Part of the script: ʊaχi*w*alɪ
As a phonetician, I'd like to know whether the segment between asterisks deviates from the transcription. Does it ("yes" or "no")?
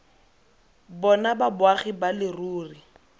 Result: yes